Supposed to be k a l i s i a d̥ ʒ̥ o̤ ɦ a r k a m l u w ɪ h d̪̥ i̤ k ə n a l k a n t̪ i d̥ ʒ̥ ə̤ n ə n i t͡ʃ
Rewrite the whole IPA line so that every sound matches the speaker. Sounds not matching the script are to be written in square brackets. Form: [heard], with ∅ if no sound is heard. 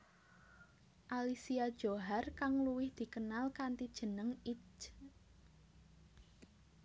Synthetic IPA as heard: [ʔ] a l i s i a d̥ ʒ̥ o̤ ɦ a r k a [ŋ] l u w ɪ h d̪̥ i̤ k ə n a l k a n t̪ i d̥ ʒ̥ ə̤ n ə [ŋ] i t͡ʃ